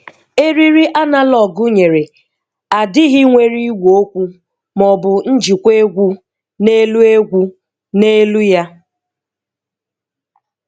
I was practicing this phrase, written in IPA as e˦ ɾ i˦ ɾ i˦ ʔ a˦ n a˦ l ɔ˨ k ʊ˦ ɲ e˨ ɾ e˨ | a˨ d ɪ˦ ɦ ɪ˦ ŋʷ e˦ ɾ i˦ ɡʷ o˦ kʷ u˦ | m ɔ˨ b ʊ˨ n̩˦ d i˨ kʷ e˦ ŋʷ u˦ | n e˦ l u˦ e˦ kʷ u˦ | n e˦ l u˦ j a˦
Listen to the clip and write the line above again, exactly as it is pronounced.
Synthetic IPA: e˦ ɾ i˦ ɾ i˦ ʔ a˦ n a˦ l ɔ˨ ɡ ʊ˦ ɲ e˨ ɾ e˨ | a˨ d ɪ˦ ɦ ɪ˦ ŋʷ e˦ ɾ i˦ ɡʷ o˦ kʷ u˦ | m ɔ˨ b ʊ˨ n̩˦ d͡ʒ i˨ kʷ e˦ ɡʷ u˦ | n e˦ l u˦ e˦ ɡʷ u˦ | n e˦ l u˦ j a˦